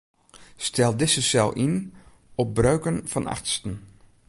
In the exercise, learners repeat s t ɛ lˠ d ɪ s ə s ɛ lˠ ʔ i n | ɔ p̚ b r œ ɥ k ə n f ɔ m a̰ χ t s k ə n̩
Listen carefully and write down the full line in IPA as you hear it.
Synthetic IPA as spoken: s t ɛ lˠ d ɪ s ə s ɛ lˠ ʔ i n | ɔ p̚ b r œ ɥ k ə n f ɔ n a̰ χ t s t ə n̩